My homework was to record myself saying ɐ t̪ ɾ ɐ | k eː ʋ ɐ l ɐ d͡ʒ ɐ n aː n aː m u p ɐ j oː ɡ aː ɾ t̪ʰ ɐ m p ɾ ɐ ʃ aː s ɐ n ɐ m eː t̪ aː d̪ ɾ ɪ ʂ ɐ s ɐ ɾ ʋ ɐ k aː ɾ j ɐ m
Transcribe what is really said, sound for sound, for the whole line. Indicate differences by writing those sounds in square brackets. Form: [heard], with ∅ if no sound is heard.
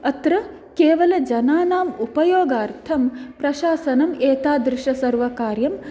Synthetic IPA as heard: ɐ t̪ ɾ ɐ | k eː ʋ ɐ l ɐ d͡ʒ ɐ n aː n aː m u p ɐ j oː ɡ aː ɾ t̪ʰ ɐ m p ɾ ɐ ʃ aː s ɐ n ɐ m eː t̪ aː d̪ ɾ ɪ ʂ ɐ s ɐ ɾ ʋ ɐ k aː ɾ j ɐ m